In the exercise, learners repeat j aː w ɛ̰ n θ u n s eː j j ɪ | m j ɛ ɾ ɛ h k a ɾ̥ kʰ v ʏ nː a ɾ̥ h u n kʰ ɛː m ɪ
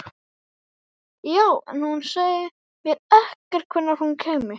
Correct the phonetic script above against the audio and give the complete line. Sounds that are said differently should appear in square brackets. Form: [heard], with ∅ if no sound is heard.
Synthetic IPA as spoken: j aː w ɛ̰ n [h] u n s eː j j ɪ | m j ɛ ɾ ɛ h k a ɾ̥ kʰ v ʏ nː a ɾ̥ h u n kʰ ɛː m ɪ